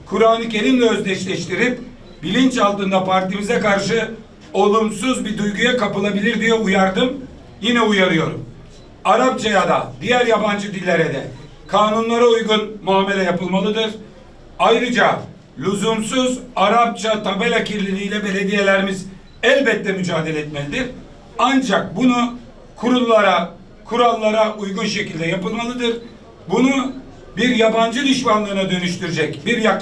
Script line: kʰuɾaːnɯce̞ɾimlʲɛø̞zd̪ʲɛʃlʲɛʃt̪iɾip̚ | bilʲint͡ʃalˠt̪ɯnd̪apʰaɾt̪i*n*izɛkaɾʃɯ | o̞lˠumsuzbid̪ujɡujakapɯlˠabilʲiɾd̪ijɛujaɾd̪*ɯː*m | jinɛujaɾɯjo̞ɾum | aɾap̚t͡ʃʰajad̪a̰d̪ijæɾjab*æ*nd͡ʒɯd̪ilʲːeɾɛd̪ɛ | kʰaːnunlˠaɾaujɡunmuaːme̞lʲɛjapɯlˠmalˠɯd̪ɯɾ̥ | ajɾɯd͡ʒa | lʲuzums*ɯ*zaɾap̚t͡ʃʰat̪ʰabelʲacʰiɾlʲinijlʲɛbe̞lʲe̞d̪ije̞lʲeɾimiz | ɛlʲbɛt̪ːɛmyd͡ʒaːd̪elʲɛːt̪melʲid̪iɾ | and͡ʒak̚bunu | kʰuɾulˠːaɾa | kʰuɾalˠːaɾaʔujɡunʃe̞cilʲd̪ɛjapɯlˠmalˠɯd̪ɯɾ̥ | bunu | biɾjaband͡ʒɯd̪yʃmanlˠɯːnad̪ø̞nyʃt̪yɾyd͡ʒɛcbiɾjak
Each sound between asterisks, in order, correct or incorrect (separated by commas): incorrect, incorrect, incorrect, incorrect